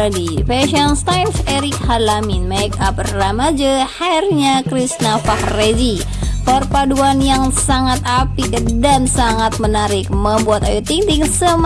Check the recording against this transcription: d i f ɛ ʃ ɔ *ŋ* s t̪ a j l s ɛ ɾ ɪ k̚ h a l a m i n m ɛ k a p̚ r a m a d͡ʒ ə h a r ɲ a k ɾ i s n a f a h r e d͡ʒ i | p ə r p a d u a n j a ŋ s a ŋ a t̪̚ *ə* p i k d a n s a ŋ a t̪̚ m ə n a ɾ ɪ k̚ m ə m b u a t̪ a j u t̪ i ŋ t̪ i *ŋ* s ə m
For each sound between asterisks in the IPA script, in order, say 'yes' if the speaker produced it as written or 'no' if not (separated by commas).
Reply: no, no, yes